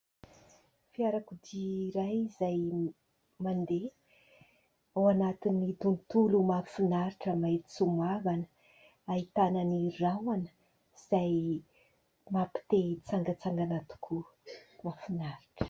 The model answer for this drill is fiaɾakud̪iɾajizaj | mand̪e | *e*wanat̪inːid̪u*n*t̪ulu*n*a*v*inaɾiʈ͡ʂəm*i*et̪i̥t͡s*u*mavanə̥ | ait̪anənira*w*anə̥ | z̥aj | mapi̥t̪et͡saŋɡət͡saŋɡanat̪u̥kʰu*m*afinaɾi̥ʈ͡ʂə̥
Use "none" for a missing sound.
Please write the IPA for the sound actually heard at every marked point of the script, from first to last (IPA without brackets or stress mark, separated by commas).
a, n, m, f, a, u, w, m